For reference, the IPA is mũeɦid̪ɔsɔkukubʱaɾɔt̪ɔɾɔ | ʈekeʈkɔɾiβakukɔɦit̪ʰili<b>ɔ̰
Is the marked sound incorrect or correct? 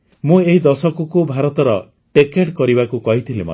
incorrect